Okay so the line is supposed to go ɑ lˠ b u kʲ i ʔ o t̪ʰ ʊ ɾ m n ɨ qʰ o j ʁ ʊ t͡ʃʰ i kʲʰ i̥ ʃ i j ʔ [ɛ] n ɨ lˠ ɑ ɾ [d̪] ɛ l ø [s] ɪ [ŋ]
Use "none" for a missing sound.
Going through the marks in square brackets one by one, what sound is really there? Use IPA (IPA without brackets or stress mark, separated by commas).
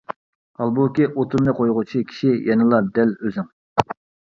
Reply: ɛ, d̪, z, ŋ